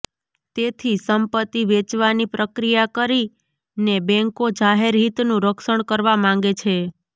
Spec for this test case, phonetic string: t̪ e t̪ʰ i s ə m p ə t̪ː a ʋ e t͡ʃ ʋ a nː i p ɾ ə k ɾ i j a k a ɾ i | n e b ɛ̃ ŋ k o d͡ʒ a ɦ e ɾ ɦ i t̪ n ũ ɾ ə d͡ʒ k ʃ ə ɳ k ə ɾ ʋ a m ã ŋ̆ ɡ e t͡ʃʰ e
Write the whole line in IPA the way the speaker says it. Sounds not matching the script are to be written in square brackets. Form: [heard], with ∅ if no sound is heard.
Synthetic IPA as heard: t̪ e t̪ʰ i s ə m p ə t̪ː [i] ʋ e t͡ʃ ʋ a [n] i p ɾ ə k ɾ i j a k [ə] ɾ i | n e b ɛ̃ ŋ k o d͡ʒ a ɦ e ɾ ɦ i t̪ n ũ ɾ ə [∅] k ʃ ə ɳ k ə ɾ ʋ a m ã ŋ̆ ɡ e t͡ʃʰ e